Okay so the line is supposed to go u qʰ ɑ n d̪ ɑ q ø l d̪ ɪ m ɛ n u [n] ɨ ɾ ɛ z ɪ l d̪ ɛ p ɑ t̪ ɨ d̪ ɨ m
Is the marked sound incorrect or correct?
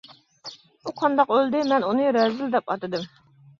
correct